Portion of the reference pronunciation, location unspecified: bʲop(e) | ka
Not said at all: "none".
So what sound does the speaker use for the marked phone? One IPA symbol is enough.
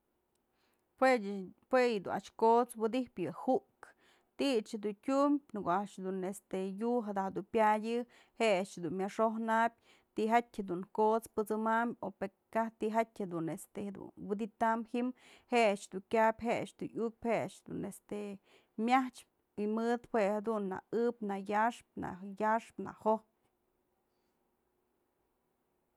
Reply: e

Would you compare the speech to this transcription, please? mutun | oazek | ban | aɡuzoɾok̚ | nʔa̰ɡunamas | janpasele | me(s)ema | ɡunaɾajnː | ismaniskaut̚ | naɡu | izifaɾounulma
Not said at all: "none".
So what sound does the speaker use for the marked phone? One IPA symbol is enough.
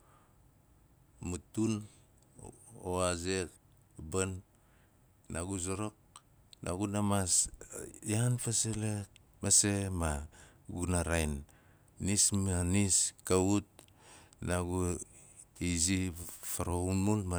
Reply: s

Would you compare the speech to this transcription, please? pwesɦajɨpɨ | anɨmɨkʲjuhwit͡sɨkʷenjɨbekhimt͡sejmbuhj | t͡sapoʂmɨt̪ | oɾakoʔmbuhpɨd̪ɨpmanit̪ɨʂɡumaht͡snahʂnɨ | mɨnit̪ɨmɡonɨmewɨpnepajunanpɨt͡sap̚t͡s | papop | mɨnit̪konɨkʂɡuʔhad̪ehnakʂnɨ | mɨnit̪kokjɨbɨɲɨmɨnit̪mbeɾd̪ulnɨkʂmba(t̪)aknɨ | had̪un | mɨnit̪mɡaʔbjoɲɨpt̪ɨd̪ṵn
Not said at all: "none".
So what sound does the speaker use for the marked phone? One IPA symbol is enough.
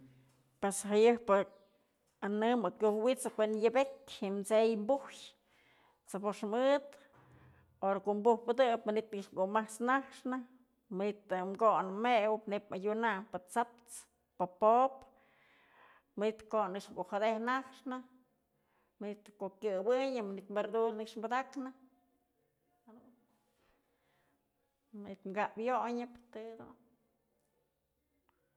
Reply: d̪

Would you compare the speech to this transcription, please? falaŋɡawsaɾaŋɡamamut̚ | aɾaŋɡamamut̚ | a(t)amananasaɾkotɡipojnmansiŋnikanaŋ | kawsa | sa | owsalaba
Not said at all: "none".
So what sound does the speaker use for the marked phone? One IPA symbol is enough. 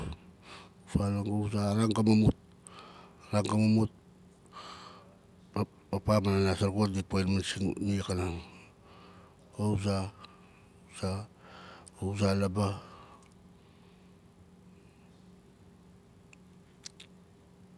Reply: p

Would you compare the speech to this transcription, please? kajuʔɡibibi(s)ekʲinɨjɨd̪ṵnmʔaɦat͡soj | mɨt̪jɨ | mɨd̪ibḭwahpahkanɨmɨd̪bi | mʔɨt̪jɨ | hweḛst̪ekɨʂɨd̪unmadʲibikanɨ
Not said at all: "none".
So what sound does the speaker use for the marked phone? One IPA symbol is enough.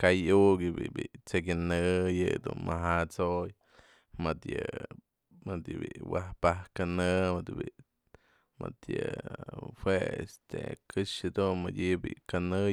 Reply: t͡s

